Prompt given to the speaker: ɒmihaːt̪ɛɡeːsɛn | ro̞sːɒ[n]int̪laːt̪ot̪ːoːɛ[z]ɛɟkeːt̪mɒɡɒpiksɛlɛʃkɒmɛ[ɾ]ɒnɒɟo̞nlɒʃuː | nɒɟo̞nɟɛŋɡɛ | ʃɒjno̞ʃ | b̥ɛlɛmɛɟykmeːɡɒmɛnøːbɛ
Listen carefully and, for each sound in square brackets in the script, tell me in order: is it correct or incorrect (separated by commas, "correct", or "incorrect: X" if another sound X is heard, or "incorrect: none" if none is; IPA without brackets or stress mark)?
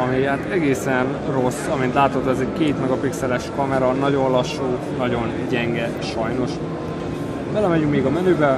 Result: incorrect: m, correct, correct